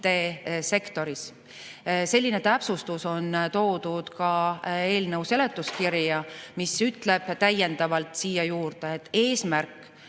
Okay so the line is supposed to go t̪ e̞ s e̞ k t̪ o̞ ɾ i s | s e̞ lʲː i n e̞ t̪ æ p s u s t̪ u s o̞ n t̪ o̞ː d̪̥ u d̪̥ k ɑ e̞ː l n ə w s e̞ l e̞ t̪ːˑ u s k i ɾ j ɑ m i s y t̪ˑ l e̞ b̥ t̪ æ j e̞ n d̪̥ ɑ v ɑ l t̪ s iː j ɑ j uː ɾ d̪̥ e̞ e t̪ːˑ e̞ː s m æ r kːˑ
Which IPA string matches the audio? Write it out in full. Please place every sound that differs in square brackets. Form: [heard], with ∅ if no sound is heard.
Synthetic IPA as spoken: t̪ e̞ s e̞ k t̪ o̞ ɾ i s | s e̞ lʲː i n e̞ t̪ æ p s u s t̪ u s o̞ n t̪ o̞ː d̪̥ u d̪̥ k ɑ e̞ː l n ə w s e̞ l e̞ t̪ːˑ u s k i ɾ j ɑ m i s y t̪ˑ l e̞ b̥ t̪ æ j e̞ n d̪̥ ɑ v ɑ l t̪ s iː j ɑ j uː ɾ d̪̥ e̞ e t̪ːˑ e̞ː s m æ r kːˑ